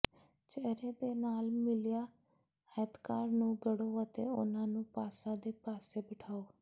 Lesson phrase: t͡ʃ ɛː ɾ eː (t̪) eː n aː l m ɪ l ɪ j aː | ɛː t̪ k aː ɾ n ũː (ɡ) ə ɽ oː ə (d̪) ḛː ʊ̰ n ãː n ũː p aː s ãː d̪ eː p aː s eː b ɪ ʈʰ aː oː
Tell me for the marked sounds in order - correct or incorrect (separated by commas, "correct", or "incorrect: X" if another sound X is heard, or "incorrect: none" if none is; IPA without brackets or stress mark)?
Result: incorrect: d̪, correct, incorrect: t̪